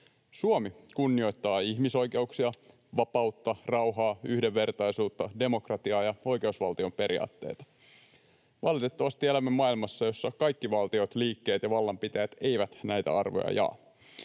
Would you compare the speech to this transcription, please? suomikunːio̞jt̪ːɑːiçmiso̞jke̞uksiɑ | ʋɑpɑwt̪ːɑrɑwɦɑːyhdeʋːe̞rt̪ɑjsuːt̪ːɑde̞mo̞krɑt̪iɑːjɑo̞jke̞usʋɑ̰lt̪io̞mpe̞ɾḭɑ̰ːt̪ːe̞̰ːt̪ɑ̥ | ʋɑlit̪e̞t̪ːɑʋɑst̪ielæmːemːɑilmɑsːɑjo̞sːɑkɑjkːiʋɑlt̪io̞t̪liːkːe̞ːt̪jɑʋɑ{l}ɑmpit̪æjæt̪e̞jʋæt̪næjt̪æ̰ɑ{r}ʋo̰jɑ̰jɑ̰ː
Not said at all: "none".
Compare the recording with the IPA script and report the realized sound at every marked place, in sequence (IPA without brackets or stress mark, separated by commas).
lː, r